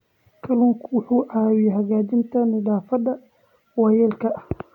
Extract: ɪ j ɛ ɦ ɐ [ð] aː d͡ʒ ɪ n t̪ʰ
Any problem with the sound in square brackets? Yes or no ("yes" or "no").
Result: yes